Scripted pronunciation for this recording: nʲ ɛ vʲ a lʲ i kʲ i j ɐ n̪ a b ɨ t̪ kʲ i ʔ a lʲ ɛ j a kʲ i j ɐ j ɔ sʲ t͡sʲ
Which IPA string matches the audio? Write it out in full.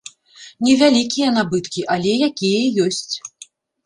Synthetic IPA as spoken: nʲ ɛ vʲ a lʲ i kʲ i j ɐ n̪ a b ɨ t̪ kʲ i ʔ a lʲ ɛ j a kʲ i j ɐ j ɔ sʲ t͡sʲ